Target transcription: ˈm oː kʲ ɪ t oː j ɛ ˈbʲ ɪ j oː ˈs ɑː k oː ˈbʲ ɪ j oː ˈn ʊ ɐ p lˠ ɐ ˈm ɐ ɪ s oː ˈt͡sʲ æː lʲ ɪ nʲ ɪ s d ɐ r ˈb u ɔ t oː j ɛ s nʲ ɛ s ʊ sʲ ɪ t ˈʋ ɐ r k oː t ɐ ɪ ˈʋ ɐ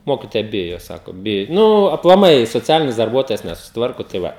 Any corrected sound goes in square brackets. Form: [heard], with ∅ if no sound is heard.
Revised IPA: ˈm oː kʲ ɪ t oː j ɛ ˈbʲ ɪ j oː ˈs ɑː k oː ˈbʲ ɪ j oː ˈn ʊ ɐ p lˠ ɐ ˈm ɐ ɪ s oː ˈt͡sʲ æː lʲ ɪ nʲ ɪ s d ɐ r ˈb u ɔ t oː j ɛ s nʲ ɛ s ʊ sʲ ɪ t ˈʋ ɐ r k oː t ɐ ɪ ˈʋ ɐ